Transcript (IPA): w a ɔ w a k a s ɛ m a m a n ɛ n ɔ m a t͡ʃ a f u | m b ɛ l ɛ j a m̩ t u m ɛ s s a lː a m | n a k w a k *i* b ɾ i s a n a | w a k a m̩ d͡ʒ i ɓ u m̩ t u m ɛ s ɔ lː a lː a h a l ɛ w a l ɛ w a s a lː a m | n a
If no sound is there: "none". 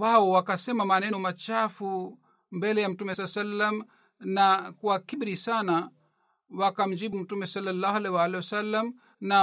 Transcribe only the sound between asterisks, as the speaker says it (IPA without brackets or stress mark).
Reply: i